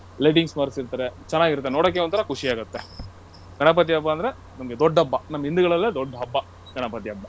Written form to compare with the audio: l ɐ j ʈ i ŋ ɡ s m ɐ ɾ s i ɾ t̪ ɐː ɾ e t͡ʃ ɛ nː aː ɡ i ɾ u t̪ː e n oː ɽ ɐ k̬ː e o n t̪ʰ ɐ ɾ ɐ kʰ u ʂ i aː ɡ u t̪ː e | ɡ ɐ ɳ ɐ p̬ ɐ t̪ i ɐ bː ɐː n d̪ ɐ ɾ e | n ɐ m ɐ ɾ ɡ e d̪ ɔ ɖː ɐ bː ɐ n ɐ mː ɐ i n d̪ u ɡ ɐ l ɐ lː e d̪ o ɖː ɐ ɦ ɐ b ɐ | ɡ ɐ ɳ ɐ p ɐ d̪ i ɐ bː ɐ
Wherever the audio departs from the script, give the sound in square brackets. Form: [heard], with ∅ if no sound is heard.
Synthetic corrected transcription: l ɐ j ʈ i ŋ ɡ s m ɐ ɾ s i ɾ t̪ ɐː ɾ e t͡ʃ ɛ nː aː ɡ i ɾ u t̪ː e n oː ɽ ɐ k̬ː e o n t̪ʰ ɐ ɾ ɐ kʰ u ʂ i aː ɡ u t̪ː e | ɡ ɐ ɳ ɐ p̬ ɐ t̪ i ɐ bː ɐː n d̪ ɐ ɾ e | n ɐ m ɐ [∅] ɡ e d̪ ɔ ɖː ɐ bː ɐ n ɐ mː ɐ i n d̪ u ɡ ɐ [ɭ] ɐ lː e d̪ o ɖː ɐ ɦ ɐ [bː] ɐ | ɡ ɐ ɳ ɐ p ɐ [t̪] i ɐ bː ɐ

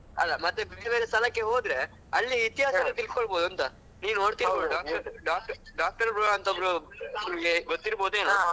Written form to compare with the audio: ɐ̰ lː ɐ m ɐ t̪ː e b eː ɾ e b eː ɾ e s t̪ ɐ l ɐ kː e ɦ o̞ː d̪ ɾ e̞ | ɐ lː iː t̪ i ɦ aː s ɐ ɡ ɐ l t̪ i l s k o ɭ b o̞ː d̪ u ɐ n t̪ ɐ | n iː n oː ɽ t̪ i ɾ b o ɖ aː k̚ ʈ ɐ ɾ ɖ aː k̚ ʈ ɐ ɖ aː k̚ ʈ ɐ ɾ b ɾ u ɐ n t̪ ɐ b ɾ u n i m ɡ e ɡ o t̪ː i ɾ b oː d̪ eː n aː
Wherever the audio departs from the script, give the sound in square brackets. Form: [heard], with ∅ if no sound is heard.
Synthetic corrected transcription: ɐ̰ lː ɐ m ɐ t̪ː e b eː ɾ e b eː ɾ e s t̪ ɐ l ɐ kː e ɦ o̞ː d̪ ɾ e̞ | ɐ lː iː t̪ i ɦ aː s ɐ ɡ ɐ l t̪ i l s k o ɭ b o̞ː d̪ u ɐ n t̪ ɐ | n iː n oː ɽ t̪ i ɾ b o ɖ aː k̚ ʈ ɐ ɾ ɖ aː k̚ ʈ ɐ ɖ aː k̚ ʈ ɐ ɾ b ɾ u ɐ n t̪ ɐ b ɾ u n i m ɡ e ɡ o t̪ː i ɾ b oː d̪ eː n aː

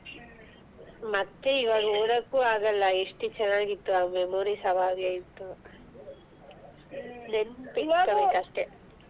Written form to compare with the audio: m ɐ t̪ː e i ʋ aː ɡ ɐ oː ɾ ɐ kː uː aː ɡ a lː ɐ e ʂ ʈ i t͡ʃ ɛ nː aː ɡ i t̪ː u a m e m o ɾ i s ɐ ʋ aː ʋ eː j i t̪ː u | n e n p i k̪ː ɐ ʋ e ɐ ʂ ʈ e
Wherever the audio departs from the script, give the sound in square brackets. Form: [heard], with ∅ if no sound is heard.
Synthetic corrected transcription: m ɐ t̪ː e i ʋ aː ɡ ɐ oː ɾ ɐ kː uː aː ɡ [ɐ] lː ɐ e ʂ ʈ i t͡ʃ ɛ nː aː ɡ i t̪ː u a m e m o ɾ i s ɐ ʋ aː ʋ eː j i t̪ː u | n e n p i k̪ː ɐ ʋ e ɐ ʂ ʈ e

